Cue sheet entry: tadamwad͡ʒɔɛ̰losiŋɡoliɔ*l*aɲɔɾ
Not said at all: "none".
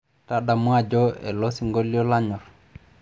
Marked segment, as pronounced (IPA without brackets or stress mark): l